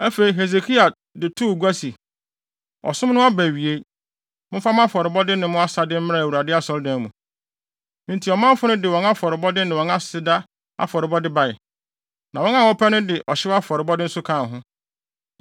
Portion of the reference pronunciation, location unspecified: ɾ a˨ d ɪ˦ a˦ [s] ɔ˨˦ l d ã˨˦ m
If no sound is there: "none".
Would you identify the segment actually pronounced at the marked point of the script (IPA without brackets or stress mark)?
s